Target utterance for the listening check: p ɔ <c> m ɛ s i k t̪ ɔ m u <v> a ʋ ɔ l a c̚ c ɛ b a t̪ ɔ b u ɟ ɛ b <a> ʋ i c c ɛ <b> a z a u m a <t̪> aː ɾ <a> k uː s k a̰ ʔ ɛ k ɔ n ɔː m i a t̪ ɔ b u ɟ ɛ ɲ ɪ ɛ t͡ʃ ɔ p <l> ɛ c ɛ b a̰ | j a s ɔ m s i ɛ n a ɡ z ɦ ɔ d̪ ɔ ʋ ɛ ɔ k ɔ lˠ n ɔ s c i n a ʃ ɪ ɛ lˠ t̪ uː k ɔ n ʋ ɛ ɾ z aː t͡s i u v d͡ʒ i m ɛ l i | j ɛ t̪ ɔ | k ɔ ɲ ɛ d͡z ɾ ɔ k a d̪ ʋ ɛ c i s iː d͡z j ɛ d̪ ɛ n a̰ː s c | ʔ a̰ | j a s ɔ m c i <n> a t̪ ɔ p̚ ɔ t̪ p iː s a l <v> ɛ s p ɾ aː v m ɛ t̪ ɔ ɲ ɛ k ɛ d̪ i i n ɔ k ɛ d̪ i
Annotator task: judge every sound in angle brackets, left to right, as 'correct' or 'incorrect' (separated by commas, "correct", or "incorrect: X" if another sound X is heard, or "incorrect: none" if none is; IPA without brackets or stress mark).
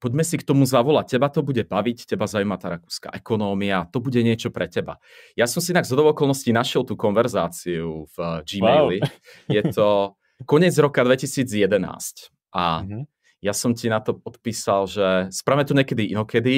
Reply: incorrect: ɟ, incorrect: z, correct, correct, correct, correct, incorrect: ɾ, correct, incorrect: ʒ